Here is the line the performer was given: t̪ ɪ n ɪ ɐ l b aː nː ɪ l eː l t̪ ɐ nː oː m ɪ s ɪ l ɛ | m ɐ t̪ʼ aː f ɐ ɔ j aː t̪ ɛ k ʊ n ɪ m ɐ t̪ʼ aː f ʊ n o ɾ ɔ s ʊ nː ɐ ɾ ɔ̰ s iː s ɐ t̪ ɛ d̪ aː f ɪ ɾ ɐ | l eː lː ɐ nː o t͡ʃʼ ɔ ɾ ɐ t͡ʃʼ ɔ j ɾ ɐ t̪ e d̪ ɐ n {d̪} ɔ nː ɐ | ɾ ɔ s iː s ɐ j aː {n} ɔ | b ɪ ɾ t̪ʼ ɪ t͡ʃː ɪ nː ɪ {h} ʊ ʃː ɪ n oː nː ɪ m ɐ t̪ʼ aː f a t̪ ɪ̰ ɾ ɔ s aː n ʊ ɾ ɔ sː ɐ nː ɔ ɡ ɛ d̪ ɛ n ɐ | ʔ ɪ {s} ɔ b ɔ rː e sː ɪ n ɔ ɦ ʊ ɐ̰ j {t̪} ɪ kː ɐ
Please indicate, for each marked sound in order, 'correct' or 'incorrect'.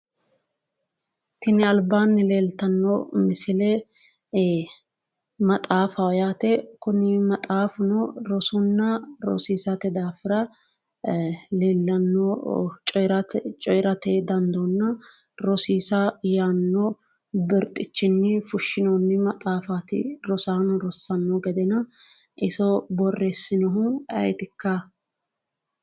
correct, incorrect: nː, incorrect: f, correct, correct

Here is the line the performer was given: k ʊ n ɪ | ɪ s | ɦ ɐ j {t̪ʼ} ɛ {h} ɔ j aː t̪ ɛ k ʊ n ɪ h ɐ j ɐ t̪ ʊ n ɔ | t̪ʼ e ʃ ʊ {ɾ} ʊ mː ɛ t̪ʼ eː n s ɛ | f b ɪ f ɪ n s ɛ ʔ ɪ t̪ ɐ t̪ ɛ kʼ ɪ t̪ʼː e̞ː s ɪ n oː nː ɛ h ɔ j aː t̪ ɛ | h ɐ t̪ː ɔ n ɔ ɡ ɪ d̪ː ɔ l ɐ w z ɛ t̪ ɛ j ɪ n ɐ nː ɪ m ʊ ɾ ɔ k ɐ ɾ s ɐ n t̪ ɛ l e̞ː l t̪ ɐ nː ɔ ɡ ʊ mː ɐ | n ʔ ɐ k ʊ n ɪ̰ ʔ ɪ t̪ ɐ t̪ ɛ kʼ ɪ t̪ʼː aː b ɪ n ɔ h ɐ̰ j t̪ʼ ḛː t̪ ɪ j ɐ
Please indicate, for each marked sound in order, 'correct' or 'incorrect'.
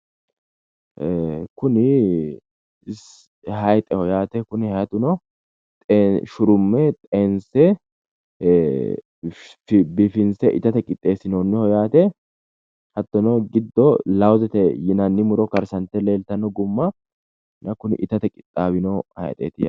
correct, correct, correct

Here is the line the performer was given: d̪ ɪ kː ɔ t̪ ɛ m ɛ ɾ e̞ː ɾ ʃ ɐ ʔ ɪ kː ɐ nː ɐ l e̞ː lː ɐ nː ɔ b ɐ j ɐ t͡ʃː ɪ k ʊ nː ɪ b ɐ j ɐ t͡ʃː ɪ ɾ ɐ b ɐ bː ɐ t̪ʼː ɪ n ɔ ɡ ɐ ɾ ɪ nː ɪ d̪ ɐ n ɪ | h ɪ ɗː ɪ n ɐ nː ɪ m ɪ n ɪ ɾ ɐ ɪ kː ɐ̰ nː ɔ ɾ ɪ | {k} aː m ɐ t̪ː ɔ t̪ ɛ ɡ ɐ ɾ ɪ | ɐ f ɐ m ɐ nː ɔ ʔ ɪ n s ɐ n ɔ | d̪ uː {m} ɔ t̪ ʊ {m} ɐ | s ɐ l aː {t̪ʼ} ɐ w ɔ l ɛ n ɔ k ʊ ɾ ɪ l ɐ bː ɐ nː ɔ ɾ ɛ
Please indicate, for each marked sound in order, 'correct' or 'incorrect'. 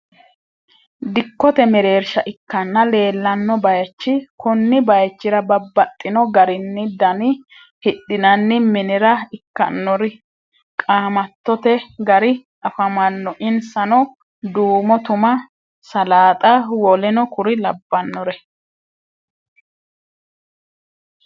incorrect: kʼ, correct, correct, correct

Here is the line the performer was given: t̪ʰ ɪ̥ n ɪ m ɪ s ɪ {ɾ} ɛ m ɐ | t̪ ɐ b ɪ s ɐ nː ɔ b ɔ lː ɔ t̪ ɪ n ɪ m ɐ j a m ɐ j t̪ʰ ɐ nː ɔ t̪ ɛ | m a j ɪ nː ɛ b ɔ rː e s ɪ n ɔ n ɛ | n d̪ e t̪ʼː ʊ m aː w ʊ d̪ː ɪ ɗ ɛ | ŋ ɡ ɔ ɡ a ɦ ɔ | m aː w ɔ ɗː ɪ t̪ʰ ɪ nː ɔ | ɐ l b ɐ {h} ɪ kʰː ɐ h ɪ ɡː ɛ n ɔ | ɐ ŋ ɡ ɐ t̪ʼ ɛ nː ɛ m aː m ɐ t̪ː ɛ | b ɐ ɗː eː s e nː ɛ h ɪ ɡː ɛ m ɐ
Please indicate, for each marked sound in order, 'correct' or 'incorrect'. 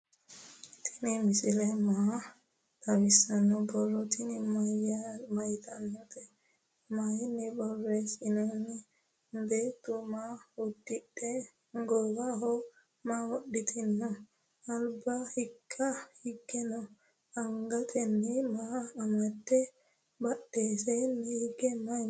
incorrect: l, correct

